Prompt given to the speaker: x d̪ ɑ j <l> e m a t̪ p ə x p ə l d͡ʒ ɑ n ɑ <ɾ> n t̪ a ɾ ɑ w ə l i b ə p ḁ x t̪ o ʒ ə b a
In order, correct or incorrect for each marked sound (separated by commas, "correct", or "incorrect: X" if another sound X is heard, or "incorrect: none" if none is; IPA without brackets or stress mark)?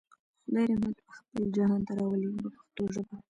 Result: incorrect: ɾ, incorrect: none